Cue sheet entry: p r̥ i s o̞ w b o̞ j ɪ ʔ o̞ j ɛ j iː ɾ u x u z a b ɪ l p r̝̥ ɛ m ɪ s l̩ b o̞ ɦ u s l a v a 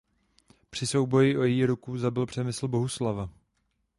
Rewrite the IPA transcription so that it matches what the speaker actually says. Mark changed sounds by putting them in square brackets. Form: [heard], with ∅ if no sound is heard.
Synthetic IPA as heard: p r̥ [ɪ] s o̞ w b o̞ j ɪ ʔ o̞ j ɛ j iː ɾ u [k] u z a b ɪ l p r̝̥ ɛ m ɪ s l̩ b o̞ ɦ u s l a v a

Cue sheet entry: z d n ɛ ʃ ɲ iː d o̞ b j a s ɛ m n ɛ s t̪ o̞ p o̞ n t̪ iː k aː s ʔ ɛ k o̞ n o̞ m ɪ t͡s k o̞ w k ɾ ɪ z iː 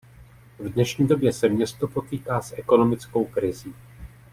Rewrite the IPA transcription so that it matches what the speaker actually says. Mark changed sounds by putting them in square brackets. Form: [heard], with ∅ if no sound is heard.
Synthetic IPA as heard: [v] d n ɛ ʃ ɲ iː d o̞ b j [ɛ] s ɛ m [ɲ] ɛ s t̪ o̞ p o̞ [∅] t̪ iː k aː s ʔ ɛ k o̞ n o̞ m ɪ t͡s k o̞ w k ɾ ɪ z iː

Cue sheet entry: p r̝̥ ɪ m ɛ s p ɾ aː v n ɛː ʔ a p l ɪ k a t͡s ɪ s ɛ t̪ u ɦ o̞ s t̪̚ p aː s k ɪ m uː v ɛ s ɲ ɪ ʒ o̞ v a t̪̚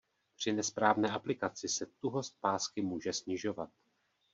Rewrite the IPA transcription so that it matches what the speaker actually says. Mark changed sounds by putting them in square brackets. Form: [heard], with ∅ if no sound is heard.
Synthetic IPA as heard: p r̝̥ ɪ [n] ɛ s p ɾ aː v n ɛː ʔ a p l ɪ k a t͡s ɪ s ɛ t̪ u ɦ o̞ s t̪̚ p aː s k ɪ m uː [ʒ] ɛ s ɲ ɪ ʒ o̞ v a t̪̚

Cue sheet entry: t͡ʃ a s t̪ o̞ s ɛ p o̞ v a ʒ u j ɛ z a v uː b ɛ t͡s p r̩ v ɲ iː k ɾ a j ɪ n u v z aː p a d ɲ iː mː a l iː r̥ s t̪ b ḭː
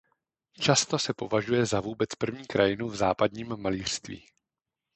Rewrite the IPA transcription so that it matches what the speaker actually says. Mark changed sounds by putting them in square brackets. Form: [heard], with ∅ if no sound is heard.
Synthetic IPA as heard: t͡ʃ a s t̪ o̞ s ɛ p o̞ v a ʒ u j ɛ z a v uː b ɛ t͡s p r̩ v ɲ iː k ɾ a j ɪ n u v z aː p a d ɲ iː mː a l iː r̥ s t̪ [v] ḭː

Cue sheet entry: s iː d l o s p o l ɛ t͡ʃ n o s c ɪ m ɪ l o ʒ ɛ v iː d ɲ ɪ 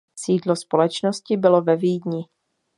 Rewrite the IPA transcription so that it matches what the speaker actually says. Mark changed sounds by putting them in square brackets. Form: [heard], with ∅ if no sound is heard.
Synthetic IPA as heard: s iː d l o s p o l ɛ t͡ʃ n o s c ɪ [b] ɪ l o [v] ɛ v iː d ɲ ɪ

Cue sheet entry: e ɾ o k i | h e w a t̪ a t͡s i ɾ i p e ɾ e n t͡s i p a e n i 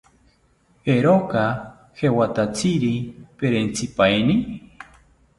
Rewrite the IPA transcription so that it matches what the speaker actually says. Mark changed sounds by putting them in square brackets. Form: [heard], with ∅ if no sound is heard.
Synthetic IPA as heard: e ɾ o k [a] | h e w a t̪ a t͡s i ɾ i p e ɾ e n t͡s i p a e n i

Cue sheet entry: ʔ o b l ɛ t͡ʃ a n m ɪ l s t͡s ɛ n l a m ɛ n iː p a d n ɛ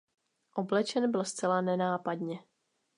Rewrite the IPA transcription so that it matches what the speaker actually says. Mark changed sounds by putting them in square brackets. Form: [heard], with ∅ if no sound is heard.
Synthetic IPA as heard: ʔ o b l ɛ t͡ʃ [ɛ] n [b] ɪ l s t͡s ɛ [∅] l a [n] ɛ n [aː] p a d [ɲ] ɛ

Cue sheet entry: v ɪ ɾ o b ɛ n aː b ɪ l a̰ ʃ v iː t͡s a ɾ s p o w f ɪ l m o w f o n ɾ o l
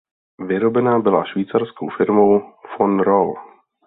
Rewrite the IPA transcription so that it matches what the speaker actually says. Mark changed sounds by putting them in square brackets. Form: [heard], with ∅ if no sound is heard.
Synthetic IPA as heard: v ɪ ɾ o b ɛ n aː b ɪ l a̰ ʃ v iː t͡s a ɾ s [k] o w f ɪ [ɾ] m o w f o n ɾ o l

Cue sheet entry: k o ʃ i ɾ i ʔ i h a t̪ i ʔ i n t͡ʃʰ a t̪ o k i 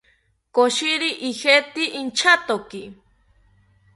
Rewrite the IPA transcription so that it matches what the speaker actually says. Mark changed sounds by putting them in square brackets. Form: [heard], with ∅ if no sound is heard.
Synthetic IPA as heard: k o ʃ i ɾ i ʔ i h [e] t̪ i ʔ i n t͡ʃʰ a t̪ o k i

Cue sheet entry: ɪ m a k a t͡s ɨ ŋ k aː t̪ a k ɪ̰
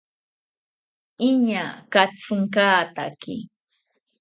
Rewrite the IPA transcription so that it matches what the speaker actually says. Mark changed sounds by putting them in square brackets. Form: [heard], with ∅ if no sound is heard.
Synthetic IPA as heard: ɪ [ɲ] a k a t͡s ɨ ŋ k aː t̪ a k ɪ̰

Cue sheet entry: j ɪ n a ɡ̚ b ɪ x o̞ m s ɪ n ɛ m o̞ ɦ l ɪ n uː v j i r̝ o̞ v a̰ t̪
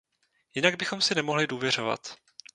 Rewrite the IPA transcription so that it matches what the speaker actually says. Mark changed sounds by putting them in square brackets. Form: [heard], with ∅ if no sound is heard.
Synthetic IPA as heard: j ɪ n a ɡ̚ b ɪ x o̞ m s ɪ n ɛ m o̞ ɦ l ɪ [d] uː v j [ɛ] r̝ o̞ v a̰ t̪

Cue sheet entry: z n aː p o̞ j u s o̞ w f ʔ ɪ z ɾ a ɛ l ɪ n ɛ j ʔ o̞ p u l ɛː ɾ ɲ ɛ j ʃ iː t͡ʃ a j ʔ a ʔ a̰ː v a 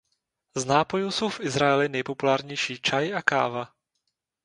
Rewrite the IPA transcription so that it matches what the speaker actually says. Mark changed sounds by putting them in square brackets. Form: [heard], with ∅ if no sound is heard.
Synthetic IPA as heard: z n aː p o̞ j u s o̞ w f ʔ ɪ z ɾ a ɛ l ɪ n ɛ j [p] o̞ p u l [aː] ɾ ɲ ɛ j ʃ iː t͡ʃ a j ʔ a [k] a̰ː v a

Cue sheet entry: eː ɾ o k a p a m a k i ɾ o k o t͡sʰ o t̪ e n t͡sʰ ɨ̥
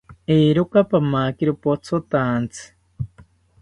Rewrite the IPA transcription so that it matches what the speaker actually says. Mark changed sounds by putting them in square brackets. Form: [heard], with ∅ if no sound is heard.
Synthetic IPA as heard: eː ɾ o k a p a m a k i ɾ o [p] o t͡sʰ o t̪ [a] n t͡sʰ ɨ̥

